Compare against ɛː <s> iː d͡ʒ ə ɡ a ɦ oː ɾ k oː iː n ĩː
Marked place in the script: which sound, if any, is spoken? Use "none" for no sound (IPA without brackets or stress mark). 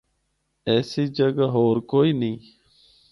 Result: s